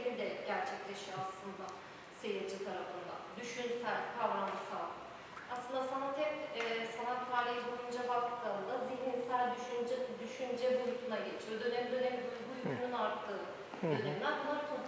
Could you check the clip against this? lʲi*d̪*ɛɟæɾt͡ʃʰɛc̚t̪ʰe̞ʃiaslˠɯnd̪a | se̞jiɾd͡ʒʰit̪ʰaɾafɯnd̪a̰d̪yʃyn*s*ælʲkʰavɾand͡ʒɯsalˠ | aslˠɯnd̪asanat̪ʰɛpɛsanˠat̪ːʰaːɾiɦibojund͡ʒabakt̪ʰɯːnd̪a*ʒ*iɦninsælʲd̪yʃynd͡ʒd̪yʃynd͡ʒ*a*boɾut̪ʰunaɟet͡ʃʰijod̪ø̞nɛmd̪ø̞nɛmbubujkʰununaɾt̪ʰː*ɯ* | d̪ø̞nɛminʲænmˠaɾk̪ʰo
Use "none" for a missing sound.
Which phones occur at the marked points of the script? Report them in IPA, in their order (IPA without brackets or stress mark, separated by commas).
d̪, s, z, ɛ, ɯː